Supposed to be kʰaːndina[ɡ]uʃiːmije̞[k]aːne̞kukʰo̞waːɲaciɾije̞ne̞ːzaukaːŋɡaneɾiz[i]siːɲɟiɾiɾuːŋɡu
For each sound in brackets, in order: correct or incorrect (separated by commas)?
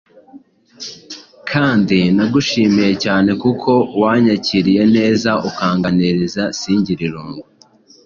correct, incorrect, incorrect